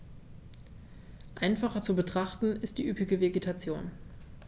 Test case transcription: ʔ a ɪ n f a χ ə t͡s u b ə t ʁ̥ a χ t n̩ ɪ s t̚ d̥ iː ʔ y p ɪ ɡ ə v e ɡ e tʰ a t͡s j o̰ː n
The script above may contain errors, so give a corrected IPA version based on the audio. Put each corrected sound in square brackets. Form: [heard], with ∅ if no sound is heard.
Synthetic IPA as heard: ʔ a ɪ n f a χ [ɐ] t͡s u b ə t ʁ̥ a χ t n̩ ɪ s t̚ d̥ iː ʔ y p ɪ ɡ ə v e ɡ e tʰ a t͡s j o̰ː n